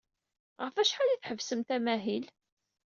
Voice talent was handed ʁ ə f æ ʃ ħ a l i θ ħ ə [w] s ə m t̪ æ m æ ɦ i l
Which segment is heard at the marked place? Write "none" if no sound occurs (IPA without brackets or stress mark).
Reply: v